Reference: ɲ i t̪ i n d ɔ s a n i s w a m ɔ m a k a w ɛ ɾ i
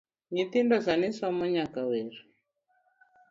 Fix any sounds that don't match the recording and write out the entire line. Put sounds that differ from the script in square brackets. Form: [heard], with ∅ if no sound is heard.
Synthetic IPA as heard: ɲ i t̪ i n d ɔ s a n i s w a m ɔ [ɲ] a k a w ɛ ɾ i

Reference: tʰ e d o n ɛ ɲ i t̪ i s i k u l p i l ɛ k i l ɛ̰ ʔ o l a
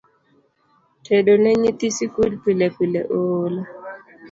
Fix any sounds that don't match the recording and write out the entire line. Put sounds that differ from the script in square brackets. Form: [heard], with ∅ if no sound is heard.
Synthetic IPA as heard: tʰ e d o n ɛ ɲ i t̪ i s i k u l p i l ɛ [p] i l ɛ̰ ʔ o l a

